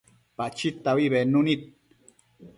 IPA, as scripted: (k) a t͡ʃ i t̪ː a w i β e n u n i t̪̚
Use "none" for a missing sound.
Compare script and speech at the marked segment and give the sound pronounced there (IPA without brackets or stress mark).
p